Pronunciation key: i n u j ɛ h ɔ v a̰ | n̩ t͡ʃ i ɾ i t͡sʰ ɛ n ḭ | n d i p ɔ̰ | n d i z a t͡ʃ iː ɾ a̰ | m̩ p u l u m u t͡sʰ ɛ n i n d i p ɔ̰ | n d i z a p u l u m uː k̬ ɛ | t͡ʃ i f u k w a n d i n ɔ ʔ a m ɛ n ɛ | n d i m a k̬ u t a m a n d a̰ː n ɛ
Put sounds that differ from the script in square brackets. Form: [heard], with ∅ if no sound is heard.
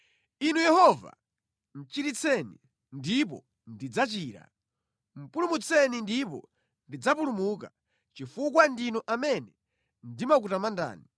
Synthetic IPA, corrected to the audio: i n u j ɛ h ɔ v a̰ | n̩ t͡ʃ i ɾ i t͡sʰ ɛ n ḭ | n d i p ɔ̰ | n d i [d͡z] a t͡ʃ iː ɾ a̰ | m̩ p u l u m u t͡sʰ ɛ n i n d i p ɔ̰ | n d i [d͡z] a p u l u m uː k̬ [a] | t͡ʃ i f u k w a n d i n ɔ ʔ a m ɛ n ɛ | n d i m a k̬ u t a m a n d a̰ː n [i]